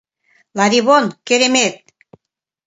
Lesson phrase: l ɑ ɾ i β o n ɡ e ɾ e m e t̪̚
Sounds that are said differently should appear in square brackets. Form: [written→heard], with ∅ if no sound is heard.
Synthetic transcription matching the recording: l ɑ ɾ i β o n [ɡ→k] e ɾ e m e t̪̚